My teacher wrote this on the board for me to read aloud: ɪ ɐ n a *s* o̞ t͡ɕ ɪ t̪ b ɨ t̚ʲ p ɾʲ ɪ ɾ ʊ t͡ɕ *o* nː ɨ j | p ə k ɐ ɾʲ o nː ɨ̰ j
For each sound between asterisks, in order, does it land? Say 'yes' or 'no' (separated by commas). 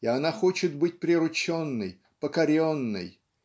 no, yes